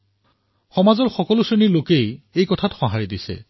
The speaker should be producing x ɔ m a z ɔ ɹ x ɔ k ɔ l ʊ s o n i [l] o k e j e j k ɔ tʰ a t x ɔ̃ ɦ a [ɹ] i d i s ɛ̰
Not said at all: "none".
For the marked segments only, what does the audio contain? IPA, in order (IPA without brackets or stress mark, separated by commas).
l, ɹ